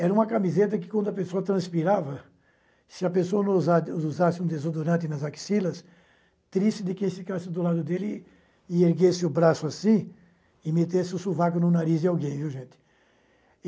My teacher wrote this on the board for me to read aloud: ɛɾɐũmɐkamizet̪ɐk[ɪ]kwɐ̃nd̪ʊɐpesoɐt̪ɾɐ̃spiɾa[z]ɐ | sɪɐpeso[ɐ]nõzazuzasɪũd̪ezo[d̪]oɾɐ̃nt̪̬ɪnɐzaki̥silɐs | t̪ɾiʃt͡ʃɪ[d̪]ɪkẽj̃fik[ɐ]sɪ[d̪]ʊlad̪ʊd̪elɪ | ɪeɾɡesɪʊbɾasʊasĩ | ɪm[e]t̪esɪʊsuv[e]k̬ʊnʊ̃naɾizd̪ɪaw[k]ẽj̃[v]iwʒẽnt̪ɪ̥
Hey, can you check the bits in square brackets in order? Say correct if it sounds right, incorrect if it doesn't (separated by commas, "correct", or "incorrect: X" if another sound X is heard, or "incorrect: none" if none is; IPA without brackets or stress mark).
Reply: correct, incorrect: v, correct, correct, correct, incorrect: a, correct, correct, incorrect: a, incorrect: ɡ, correct